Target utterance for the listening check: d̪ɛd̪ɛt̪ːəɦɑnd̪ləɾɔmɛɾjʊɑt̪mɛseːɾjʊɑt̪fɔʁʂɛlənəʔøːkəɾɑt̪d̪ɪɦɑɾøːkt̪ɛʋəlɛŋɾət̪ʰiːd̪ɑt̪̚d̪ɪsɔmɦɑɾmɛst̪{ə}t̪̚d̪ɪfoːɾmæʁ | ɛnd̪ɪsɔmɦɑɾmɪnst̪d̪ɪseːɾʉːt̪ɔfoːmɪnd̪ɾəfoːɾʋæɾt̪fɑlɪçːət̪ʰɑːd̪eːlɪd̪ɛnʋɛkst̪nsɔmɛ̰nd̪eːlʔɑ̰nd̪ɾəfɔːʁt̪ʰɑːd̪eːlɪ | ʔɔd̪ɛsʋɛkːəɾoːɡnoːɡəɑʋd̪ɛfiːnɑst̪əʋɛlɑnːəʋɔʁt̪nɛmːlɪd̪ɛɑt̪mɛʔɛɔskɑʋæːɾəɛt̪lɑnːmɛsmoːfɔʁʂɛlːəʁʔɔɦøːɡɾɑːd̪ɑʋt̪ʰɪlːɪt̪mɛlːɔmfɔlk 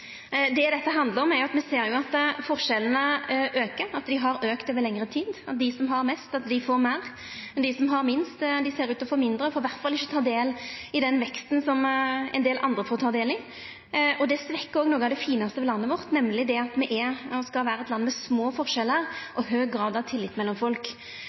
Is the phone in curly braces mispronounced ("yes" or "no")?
yes